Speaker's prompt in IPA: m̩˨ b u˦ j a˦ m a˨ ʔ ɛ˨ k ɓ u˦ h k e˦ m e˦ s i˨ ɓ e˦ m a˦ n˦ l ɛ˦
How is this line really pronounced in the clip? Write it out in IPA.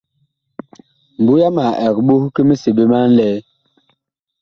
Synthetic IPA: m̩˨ b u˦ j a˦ m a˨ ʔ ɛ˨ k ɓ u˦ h k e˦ m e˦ s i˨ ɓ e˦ m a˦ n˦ l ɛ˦